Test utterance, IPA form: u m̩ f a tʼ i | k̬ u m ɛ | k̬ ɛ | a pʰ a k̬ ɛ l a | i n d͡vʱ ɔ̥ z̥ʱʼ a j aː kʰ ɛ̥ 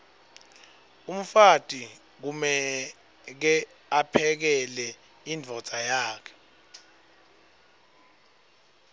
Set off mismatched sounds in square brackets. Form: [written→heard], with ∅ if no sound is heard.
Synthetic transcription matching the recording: u m̩ f a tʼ i | k̬ u m ɛ | k̬ ɛ | a pʰ [a→ɛ] k̬ ɛ l [a→ɛ] | i n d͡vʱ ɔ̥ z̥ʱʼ a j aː kʰ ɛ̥